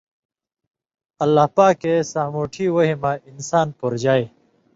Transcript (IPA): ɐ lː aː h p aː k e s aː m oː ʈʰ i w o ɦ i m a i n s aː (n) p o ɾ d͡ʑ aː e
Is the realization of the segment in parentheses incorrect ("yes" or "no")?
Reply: no